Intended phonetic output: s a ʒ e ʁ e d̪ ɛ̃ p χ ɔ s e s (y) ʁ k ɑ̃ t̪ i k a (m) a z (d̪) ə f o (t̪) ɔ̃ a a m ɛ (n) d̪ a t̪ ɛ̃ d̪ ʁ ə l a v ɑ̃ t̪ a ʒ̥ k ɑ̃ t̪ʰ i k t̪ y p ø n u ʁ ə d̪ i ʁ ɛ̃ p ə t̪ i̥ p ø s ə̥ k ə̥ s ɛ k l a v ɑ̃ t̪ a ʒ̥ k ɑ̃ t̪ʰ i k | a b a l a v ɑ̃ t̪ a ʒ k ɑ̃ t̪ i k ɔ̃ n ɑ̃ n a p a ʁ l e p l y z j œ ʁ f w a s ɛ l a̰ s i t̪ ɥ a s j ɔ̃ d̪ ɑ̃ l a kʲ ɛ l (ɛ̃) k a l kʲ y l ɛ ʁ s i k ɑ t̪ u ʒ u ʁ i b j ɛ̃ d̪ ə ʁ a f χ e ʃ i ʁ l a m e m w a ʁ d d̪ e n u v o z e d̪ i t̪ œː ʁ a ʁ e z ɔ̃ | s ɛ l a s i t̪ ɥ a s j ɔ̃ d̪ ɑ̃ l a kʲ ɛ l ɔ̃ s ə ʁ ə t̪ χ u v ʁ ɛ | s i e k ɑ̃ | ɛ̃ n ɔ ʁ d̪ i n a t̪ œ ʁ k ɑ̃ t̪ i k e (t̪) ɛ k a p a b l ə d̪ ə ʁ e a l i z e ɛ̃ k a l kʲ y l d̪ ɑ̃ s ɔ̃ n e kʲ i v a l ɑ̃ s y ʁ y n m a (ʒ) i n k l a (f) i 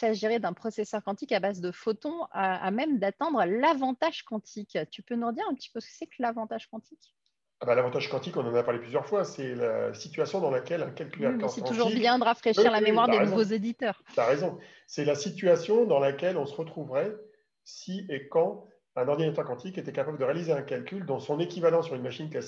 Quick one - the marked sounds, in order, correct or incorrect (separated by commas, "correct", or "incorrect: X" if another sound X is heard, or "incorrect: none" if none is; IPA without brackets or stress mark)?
incorrect: œ, incorrect: b, correct, correct, incorrect: m, correct, correct, incorrect: ʃ, incorrect: s